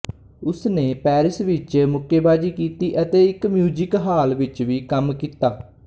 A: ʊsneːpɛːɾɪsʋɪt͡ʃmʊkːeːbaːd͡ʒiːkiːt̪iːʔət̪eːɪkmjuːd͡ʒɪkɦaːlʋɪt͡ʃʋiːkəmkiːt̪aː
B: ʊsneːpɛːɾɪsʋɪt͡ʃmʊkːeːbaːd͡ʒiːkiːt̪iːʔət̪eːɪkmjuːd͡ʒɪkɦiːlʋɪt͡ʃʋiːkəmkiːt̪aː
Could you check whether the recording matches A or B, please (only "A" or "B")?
A